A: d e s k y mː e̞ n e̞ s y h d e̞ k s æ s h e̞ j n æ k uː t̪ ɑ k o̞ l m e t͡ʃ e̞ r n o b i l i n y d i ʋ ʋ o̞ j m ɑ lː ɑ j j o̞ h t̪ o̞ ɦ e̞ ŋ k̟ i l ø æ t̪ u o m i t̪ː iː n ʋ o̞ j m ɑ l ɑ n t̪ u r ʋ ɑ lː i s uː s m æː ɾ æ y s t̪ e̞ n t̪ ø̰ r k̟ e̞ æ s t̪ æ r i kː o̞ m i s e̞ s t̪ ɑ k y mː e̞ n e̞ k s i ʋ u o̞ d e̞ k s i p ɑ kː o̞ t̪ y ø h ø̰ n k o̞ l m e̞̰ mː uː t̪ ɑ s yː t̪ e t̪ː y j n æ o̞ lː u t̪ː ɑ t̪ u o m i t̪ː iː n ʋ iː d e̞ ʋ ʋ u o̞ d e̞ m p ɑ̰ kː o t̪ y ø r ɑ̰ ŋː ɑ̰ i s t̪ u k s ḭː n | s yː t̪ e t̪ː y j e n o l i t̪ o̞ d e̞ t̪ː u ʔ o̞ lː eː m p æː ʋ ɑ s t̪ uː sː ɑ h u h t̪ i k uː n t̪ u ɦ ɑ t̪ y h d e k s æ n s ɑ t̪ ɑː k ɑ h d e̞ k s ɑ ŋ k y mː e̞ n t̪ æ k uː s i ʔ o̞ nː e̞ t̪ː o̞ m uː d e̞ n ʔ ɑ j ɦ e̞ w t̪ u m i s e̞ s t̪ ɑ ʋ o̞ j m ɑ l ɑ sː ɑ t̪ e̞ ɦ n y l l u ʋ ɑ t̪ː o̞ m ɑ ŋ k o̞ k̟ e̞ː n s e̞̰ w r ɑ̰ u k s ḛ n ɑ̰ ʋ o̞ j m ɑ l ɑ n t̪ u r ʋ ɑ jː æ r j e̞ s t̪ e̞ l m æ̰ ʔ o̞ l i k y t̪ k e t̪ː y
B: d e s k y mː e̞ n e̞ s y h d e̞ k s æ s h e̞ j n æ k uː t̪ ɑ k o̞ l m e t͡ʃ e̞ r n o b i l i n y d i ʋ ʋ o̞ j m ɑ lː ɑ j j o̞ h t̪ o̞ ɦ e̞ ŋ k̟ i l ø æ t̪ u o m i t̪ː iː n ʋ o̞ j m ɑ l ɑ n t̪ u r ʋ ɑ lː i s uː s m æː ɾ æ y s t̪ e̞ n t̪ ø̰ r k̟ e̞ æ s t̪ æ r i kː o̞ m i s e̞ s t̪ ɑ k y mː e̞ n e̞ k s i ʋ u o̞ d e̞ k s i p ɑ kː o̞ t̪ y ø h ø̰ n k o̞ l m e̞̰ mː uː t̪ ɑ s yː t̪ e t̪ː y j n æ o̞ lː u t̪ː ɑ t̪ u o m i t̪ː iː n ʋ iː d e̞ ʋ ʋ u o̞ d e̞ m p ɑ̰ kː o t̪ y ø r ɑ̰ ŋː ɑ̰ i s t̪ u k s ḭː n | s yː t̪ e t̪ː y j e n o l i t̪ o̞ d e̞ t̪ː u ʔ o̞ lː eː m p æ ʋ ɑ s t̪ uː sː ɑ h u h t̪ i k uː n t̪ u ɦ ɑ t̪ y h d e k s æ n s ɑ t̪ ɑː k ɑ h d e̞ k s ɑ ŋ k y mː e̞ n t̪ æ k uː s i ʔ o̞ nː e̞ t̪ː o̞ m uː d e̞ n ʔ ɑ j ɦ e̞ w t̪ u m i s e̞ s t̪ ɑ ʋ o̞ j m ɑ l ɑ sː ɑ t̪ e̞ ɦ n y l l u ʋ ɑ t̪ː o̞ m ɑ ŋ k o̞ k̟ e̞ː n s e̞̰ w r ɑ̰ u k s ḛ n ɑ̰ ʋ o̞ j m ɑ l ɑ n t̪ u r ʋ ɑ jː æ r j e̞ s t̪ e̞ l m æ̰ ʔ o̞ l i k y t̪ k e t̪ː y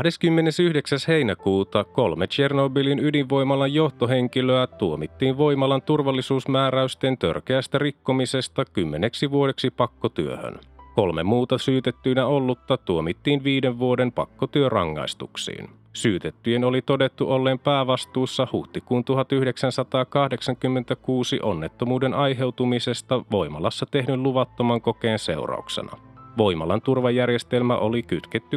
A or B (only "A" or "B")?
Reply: A